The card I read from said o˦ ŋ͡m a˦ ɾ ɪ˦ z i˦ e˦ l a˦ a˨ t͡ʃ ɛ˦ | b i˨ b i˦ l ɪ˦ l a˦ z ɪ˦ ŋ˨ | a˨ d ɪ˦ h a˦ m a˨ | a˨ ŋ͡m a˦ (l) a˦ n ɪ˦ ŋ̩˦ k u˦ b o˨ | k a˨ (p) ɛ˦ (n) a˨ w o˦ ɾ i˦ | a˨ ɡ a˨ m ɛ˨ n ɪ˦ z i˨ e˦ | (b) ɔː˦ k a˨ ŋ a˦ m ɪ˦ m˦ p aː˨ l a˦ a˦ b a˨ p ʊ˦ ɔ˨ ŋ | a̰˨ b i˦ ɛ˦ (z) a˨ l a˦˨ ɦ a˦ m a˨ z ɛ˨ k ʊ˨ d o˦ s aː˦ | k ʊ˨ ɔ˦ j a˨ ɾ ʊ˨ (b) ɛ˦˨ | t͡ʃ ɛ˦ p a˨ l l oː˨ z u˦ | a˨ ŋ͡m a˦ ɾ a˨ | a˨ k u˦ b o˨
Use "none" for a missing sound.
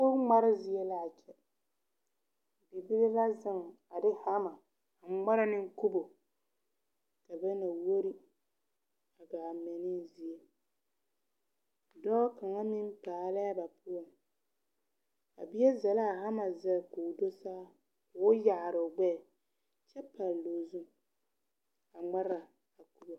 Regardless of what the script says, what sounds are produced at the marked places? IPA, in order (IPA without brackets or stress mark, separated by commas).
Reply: ɾ, b, n, d, z, ɡ͡b